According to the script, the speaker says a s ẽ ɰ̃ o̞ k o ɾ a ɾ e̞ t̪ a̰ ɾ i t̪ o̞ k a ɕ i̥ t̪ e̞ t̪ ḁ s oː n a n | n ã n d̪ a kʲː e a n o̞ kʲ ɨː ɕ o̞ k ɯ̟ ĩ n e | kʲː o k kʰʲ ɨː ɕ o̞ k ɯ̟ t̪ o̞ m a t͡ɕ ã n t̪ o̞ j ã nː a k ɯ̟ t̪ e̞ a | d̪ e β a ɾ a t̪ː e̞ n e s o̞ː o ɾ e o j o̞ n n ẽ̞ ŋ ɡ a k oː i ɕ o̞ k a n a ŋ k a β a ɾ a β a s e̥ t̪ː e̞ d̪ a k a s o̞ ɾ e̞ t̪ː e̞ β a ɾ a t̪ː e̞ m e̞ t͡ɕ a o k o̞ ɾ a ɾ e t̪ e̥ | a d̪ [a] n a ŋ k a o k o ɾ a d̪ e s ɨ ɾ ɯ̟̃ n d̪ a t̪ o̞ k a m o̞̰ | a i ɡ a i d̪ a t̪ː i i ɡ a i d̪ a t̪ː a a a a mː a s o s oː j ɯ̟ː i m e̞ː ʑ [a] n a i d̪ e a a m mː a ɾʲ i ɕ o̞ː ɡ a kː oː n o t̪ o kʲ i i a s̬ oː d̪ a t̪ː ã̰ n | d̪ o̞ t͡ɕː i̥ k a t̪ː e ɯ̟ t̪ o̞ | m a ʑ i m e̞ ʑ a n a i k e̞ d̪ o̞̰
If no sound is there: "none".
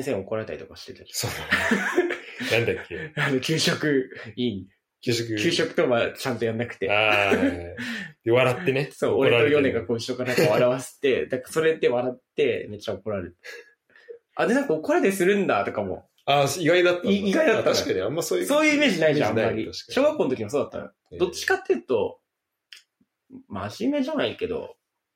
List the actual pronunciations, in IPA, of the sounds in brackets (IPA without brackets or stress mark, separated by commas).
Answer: e, i